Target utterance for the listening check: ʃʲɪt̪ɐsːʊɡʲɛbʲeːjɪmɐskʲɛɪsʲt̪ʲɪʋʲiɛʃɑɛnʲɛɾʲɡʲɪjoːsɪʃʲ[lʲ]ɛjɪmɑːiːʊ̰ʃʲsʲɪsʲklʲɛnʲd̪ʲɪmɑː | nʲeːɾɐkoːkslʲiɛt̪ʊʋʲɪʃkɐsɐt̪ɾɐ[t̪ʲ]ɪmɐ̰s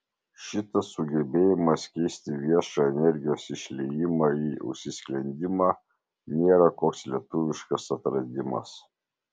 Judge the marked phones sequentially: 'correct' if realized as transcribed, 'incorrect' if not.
correct, incorrect: d̪ʲ

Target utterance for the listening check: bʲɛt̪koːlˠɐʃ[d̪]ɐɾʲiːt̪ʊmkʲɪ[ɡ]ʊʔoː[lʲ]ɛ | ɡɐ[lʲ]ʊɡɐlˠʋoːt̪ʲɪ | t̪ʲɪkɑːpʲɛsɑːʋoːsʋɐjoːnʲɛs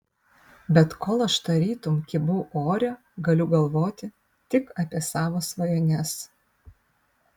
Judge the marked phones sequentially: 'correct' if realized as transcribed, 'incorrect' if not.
incorrect: t̪, incorrect: b, incorrect: ɾʲ, correct

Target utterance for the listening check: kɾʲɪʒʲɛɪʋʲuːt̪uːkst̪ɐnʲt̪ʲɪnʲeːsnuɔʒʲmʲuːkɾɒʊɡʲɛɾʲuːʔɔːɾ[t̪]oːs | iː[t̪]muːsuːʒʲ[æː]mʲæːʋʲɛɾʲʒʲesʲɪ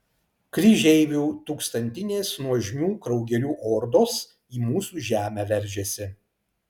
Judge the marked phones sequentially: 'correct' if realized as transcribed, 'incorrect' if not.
incorrect: d̪, incorrect: none, correct

